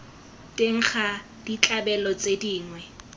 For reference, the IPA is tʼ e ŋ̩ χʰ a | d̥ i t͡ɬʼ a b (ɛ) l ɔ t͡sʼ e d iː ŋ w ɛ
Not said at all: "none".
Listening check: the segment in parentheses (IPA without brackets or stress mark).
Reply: ɛ